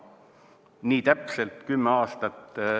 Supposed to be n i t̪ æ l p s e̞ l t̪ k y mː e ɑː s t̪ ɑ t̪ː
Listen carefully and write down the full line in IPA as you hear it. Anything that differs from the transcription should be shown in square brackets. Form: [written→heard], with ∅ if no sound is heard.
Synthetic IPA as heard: n [i→iː] t̪ æ [l→∅] p s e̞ l t̪ k y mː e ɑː s t̪ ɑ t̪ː